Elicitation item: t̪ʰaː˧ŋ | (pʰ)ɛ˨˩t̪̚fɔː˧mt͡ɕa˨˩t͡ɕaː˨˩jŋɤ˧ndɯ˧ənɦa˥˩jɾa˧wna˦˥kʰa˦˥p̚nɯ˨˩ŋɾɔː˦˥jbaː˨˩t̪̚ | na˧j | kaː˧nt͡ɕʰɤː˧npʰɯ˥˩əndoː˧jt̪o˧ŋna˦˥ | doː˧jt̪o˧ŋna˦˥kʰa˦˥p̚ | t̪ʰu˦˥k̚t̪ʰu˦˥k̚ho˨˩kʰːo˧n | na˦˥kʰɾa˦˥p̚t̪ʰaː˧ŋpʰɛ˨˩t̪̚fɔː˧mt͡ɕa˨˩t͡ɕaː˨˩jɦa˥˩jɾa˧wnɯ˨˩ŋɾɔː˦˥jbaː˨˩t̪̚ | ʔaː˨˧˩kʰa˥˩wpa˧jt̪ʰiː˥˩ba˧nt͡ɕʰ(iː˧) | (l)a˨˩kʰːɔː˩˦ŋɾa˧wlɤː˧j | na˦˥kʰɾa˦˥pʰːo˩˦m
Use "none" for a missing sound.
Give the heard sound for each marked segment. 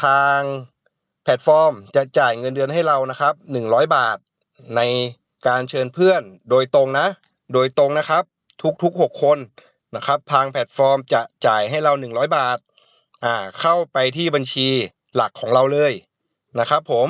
pʰ, iː˧, l

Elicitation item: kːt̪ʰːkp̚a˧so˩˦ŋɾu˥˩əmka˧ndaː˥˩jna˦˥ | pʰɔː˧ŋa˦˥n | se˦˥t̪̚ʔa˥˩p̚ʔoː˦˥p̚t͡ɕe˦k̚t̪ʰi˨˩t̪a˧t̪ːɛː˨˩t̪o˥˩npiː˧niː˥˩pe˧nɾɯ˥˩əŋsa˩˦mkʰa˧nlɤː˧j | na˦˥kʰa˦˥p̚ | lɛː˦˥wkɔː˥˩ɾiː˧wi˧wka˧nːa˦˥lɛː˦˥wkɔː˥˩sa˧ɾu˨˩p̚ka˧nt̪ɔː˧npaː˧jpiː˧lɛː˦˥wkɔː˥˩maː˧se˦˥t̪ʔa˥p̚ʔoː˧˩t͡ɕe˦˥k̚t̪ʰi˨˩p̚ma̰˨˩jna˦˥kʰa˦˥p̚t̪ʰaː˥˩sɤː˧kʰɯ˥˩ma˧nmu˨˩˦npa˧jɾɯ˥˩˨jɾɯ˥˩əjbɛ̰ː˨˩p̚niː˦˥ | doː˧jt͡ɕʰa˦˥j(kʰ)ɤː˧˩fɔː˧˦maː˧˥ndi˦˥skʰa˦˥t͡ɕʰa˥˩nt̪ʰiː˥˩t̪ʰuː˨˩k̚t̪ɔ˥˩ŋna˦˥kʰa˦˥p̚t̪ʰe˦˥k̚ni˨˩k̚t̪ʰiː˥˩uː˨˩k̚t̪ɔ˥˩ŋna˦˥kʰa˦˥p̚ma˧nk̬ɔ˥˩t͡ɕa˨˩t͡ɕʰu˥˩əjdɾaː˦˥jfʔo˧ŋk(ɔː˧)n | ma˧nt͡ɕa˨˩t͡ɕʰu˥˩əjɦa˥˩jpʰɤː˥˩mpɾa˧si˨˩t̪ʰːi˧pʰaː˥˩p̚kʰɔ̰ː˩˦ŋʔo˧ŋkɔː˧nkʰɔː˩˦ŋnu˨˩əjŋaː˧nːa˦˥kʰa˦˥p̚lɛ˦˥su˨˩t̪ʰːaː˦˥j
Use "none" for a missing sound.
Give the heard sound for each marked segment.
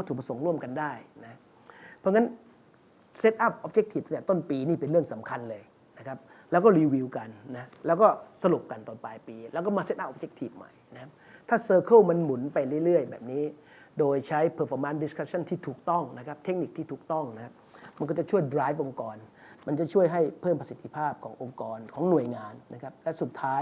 pʰ, ɔː˧

